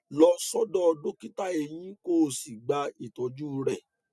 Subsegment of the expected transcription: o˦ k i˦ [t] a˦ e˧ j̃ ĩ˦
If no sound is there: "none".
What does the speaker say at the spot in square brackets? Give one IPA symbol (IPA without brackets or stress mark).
t